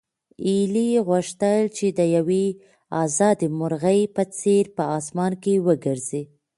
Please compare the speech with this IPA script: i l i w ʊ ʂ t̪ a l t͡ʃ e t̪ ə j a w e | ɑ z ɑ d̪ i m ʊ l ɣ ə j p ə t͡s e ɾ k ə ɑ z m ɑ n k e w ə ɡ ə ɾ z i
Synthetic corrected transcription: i l i ɣ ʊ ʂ t̪ ə l t͡ʃ e d̪ ə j a w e | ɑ z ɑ d̪ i m ʊ ɾ ɣ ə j p ə t͡s e ɾ p ə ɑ s m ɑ n k e w ə ɡ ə ɾ z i